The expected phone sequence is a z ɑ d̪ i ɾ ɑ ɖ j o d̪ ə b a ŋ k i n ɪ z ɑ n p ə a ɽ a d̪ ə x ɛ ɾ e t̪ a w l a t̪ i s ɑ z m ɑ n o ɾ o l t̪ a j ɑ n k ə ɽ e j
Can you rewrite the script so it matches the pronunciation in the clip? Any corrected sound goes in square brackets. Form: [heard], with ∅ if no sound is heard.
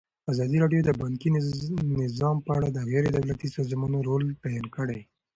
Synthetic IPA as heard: a z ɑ d̪ i ɾ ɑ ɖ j o d̪ ə b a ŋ k i n ɪ z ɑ [m] p ə a ɽ a d̪ ə [ɣ] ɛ ɾ e [d̪] a w l a t̪ i s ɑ z m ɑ n o ɾ o l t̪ a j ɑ n k ə ɽ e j